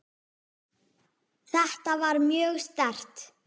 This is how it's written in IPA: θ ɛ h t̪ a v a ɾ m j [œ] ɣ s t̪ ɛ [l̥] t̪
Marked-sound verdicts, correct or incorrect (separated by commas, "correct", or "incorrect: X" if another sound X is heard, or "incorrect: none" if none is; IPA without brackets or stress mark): incorrect: œː, incorrect: r̥